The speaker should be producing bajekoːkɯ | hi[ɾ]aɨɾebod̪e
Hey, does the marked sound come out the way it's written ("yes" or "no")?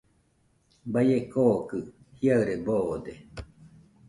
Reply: no